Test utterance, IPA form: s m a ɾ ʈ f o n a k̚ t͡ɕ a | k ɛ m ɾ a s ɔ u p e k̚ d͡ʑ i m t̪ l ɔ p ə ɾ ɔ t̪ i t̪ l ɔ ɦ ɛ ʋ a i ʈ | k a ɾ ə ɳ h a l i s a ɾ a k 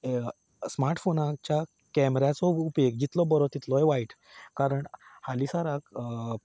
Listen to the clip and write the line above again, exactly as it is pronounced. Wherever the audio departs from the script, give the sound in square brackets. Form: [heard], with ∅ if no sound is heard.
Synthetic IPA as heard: s m a ɾ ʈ f o n a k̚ t͡ɕ a | k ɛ m ɾ a [t͡s] ɔ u p e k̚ d͡ʑ i [∅] t̪ l ɔ [b] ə ɾ ɔ t̪ i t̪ l ɔ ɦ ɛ ʋ a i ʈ | k a ɾ ə ɳ h a l i s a ɾ a k